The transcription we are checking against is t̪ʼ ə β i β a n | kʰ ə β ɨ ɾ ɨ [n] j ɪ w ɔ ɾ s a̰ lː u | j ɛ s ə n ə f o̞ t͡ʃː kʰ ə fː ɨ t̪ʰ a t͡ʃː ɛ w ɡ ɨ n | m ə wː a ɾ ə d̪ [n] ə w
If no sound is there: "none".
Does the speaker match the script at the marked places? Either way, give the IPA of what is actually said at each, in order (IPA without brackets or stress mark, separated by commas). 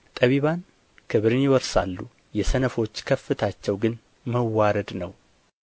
n, n